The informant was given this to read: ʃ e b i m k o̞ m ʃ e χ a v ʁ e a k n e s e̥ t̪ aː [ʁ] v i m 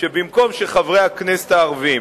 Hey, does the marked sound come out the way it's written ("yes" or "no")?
yes